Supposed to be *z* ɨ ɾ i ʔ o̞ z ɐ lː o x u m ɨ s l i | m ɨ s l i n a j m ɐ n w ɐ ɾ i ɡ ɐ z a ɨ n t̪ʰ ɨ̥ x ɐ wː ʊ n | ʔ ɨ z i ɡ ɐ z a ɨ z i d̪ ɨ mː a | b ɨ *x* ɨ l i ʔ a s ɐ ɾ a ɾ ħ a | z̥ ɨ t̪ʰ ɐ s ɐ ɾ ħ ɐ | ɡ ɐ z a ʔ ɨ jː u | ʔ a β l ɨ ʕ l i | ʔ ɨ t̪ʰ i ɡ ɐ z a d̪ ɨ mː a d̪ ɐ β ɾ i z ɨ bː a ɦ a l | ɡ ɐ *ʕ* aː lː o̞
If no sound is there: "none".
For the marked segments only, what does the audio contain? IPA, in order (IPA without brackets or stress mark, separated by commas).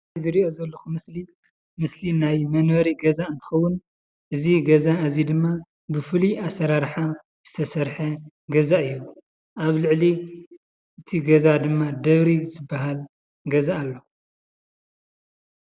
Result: z, f, z